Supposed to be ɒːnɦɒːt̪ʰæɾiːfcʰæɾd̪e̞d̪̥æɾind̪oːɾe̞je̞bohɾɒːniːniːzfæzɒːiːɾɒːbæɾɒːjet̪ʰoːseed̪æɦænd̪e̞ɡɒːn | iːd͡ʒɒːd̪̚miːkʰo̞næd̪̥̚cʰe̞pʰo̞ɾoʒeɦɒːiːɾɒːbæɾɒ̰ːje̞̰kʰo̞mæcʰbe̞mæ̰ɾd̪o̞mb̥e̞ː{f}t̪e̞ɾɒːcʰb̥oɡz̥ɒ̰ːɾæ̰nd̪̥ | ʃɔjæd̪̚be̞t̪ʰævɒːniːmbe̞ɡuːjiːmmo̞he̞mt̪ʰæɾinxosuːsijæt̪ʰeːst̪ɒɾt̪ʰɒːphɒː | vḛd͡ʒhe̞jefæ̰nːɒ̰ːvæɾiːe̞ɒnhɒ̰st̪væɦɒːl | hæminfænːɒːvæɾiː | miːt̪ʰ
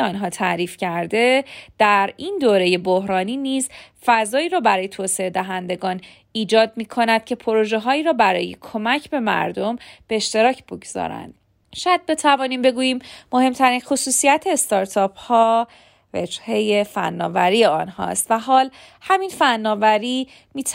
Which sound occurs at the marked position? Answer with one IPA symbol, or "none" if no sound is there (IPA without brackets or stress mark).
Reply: ʃ